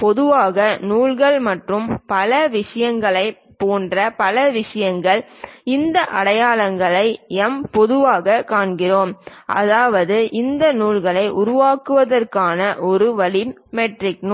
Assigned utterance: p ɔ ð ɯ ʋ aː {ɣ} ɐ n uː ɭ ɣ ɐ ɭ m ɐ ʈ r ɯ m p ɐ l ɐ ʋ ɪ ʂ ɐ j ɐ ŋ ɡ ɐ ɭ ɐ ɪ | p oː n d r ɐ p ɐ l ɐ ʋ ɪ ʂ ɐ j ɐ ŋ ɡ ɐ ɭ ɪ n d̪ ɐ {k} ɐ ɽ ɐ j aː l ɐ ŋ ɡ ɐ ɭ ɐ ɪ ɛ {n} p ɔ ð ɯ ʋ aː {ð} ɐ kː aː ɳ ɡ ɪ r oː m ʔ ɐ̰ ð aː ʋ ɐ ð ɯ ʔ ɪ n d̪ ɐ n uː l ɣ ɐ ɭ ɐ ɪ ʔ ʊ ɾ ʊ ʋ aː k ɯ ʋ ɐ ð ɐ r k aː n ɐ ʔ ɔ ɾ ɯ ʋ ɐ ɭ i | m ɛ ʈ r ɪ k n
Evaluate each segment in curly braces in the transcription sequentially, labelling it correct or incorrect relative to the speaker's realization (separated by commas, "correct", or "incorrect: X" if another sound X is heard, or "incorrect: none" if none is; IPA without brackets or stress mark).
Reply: correct, incorrect: ʔ, incorrect: m, incorrect: ɣ